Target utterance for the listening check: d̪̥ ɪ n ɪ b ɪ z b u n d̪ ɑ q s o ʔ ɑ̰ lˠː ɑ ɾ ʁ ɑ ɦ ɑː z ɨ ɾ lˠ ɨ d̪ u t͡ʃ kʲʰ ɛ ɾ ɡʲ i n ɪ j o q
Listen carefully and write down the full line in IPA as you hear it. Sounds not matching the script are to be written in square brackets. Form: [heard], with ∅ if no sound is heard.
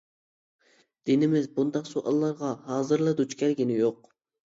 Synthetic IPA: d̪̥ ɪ n ɪ [m] ɪ z b u n d̪ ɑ q s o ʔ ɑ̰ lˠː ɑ ɾ ʁ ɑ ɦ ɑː z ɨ ɾ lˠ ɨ d̪ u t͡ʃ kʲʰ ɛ ɾ ɡʲ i n ɪ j o q